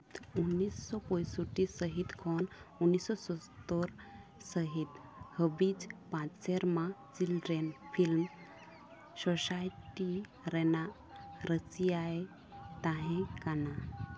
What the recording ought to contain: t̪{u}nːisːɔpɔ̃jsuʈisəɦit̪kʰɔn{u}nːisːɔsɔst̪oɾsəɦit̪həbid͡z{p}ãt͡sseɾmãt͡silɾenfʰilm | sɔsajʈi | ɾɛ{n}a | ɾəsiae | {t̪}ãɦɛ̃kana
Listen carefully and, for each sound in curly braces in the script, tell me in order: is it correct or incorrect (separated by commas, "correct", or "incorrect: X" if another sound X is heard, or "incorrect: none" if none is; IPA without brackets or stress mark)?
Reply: correct, correct, correct, correct, correct